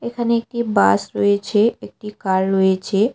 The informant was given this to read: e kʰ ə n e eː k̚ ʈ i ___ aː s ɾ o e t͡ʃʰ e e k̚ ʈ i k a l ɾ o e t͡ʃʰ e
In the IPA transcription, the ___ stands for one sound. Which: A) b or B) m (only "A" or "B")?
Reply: A